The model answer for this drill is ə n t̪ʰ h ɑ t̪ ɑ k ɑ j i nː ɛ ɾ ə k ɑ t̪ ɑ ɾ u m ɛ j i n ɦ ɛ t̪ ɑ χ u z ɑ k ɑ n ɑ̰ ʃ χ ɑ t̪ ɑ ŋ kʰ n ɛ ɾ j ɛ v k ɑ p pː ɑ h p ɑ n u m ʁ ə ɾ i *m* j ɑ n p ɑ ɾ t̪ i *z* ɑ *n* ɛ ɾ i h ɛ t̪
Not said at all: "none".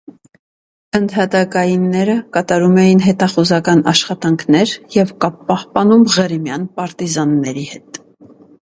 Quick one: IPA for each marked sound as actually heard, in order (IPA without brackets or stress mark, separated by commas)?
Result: m, z, nː